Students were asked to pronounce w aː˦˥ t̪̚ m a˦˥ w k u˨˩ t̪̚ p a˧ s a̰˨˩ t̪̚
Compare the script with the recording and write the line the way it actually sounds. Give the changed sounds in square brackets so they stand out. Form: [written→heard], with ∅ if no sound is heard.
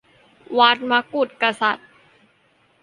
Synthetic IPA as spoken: w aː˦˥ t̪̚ m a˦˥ [w→∅] k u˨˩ t̪̚ [p→k] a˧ s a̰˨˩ t̪̚